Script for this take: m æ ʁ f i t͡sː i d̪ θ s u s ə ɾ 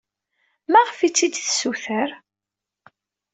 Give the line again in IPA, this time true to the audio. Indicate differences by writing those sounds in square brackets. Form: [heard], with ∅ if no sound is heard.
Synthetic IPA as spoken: m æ ʁ f i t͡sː i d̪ θ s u [θ] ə ɾ